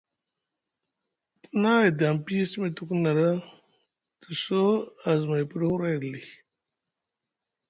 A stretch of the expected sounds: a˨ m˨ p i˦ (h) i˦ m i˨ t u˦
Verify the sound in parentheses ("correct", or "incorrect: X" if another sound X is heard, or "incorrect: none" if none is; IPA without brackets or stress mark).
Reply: incorrect: s